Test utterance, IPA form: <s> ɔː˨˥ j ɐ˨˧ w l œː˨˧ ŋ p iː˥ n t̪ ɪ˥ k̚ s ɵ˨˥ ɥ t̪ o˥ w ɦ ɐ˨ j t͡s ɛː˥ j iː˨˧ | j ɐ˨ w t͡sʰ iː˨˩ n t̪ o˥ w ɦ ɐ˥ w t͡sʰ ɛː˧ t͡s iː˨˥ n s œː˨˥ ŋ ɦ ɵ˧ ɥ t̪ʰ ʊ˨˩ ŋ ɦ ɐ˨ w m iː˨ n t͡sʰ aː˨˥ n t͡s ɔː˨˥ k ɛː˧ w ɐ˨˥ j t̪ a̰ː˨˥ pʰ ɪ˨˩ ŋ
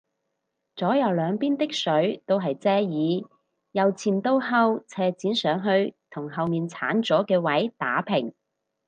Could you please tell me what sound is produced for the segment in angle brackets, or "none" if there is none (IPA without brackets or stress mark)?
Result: t͡s